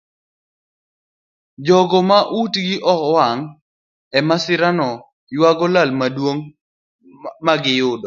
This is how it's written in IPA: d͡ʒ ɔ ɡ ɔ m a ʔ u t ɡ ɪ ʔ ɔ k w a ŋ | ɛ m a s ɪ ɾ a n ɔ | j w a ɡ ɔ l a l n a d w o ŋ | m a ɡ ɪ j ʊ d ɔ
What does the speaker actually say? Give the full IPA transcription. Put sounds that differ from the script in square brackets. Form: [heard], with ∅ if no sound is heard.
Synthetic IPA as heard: d͡ʒ ɔ ɡ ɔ m a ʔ u t ɡ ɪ ʔ ɔ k w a ŋ | ɛ m a s ɪ ɾ a n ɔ | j w a ɡ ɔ l a l [m] a d w o ŋ | m a ɡ ɪ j ʊ d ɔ